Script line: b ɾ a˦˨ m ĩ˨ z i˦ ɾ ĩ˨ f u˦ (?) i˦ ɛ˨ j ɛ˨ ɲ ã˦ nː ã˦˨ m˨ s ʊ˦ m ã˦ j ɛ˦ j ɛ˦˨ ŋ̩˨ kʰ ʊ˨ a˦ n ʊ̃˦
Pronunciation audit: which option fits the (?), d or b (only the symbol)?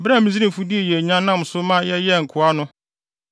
d